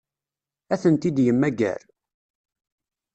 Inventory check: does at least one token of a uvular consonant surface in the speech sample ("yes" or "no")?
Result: no